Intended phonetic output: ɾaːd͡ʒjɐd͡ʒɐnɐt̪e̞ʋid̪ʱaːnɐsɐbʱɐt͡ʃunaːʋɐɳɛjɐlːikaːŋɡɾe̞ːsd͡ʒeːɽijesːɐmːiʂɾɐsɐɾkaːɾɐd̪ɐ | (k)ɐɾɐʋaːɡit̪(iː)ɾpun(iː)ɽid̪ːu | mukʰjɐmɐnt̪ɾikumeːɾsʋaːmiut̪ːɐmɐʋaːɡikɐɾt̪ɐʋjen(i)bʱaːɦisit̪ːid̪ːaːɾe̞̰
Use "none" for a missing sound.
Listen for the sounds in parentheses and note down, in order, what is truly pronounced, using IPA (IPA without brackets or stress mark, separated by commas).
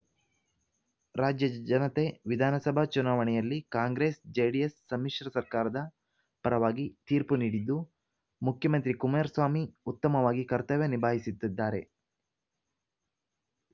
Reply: p, iː, iː, i